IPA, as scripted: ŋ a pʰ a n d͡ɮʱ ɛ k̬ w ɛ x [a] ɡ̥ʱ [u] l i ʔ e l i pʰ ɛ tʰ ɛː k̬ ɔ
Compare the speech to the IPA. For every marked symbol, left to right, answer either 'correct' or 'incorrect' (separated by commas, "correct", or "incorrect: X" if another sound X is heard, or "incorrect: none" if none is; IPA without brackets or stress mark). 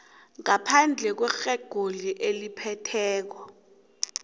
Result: incorrect: ɛ, incorrect: o